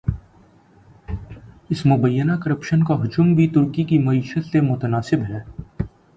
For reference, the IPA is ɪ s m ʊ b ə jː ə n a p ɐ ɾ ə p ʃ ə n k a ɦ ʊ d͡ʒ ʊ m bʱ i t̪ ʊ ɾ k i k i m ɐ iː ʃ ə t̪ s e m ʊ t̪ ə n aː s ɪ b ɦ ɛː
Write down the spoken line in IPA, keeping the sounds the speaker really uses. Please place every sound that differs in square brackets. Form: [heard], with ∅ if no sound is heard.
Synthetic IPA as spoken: ɪ s m ʊ b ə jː ə n a [k] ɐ ɾ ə p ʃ ə n k a ɦ ʊ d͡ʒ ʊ m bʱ i t̪ ʊ ɾ k i k i m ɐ iː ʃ ə t̪ s e m ʊ t̪ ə n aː s ɪ b ɦ ɛː

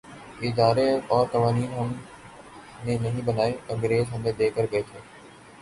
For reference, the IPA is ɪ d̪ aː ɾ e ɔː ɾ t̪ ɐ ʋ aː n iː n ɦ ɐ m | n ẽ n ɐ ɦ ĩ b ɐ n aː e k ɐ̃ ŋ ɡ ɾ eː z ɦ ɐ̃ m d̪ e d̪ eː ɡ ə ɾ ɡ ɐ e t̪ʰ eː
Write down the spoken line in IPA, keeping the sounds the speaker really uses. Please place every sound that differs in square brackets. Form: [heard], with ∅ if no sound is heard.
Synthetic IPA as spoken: ɪ d̪ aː ɾ e ɔː ɾ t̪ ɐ ʋ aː n iː n ɦ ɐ m | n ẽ n ɐ ɦ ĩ b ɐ n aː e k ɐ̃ ŋ ɡ ɾ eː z ɦ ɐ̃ m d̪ e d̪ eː [k] ə ɾ ɡ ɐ e t̪ʰ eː

